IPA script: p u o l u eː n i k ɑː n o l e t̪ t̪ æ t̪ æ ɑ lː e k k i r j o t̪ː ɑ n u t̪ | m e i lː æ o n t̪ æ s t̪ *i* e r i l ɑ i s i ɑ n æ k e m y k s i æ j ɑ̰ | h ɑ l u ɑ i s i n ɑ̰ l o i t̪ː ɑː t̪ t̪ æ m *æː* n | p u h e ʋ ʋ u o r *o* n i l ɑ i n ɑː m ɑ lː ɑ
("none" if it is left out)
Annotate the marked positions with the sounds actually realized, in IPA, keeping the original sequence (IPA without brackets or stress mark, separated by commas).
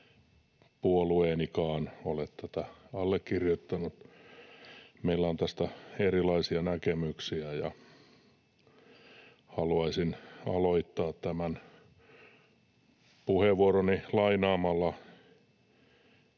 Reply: æ, æ, o